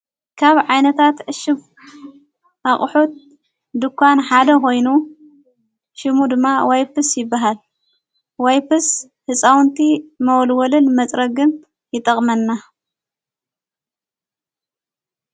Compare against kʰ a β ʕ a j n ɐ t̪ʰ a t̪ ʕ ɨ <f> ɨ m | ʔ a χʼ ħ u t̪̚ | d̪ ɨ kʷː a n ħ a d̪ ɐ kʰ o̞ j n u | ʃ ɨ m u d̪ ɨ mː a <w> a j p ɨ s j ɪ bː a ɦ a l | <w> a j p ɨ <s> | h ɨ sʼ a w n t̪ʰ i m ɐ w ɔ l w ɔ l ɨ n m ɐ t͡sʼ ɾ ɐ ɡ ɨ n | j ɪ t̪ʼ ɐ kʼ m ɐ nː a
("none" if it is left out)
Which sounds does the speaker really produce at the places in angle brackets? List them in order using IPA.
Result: ʃ, w, w, s

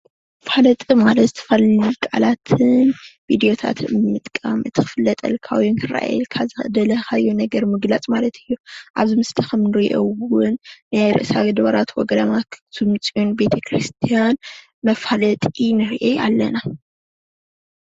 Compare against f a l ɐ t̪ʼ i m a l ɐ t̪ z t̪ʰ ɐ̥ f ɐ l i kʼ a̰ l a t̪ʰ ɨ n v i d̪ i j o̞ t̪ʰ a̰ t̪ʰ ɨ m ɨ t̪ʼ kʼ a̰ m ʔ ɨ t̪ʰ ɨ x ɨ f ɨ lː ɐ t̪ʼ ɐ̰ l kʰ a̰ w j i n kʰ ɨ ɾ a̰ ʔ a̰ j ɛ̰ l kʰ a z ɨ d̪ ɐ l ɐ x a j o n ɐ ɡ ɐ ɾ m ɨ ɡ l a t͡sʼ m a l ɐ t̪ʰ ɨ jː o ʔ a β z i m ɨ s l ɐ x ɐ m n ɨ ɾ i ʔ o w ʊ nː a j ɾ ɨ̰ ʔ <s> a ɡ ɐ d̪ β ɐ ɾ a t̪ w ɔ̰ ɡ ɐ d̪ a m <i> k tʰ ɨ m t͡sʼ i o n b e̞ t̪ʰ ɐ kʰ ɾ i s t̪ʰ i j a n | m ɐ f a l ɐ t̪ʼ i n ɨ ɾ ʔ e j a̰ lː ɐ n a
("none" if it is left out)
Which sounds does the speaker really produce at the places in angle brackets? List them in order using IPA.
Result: s, a

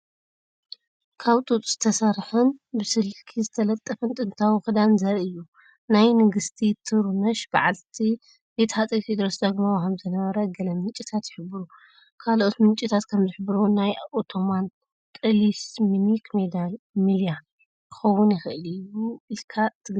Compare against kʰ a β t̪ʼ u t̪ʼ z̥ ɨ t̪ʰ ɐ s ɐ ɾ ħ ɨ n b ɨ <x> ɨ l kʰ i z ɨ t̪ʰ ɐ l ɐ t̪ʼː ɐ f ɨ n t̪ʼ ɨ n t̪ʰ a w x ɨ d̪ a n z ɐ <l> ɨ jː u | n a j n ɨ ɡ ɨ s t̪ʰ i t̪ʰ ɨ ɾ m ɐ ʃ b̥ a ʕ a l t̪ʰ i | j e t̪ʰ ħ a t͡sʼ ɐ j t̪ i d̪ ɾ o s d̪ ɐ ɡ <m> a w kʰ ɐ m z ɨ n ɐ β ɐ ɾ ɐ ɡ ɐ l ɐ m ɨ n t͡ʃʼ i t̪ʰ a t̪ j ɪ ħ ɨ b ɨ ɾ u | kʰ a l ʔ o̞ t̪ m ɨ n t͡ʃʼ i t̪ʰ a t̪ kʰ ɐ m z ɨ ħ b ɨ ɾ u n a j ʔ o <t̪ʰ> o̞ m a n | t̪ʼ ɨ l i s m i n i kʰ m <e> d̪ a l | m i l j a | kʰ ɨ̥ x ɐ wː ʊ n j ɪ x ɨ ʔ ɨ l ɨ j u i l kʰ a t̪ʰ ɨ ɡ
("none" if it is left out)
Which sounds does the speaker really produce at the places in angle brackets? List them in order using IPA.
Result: s, ɾ, m, t̪ʰ, e

